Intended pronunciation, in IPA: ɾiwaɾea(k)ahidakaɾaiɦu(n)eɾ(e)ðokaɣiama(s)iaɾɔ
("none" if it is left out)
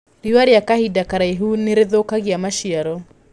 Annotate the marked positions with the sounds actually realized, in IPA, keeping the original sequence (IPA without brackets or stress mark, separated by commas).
k, n, e, ʃ